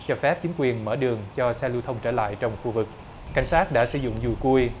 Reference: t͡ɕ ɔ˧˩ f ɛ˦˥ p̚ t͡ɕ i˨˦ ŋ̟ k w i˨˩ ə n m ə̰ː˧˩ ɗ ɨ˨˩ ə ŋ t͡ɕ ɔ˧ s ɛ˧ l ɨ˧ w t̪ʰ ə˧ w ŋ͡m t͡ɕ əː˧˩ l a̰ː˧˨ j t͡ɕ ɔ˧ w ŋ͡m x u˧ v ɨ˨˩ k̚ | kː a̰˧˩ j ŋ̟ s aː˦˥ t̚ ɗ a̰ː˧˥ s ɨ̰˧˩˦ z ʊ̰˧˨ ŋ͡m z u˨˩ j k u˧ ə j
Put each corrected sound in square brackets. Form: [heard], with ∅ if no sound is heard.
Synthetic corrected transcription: t͡ɕ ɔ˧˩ f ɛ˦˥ p̚ t͡ɕ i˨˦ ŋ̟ k w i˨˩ ə n m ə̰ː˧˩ ɗ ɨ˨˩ ə ŋ t͡ɕ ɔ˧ s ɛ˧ l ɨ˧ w t̪ʰ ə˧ w ŋ͡m t͡ɕ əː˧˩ l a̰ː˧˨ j t͡ɕ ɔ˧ w ŋ͡m x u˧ v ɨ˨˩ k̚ | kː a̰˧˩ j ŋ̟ s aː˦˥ t̚ ɗ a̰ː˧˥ s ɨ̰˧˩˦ z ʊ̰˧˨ ŋ͡m z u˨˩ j k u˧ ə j